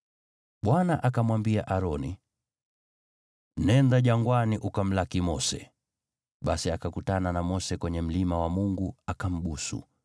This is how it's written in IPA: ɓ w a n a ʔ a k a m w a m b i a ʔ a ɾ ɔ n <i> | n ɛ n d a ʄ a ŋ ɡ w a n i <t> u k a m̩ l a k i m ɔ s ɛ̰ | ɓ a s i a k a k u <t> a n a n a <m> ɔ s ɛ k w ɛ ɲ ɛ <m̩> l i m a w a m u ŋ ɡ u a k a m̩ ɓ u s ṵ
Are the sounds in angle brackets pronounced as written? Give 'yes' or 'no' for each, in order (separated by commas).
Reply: yes, no, yes, yes, yes